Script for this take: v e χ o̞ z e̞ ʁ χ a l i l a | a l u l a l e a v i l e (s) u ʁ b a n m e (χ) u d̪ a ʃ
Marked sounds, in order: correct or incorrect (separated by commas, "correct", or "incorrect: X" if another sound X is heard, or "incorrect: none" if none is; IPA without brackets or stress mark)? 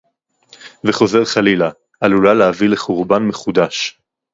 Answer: incorrect: χ, correct